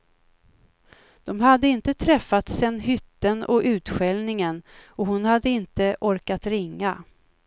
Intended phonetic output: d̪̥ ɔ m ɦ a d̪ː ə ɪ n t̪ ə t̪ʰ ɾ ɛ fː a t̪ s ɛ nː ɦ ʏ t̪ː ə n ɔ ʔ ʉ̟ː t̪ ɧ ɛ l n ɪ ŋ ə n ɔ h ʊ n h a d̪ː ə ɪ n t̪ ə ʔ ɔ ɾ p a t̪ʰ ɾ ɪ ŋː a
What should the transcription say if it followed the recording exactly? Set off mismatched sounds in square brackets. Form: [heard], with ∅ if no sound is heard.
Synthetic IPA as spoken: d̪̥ ɔ m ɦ a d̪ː ə ɪ n t̪ ə t̪ʰ ɾ ɛ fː a t̪ s ɛ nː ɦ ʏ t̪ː ə n ɔ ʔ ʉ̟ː t̪ ɧ ɛ l n ɪ ŋ ə n ɔ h ʊ n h a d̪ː ə ɪ n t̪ ə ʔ ɔ ɾ [k] a [t̪] ɾ ɪ ŋː a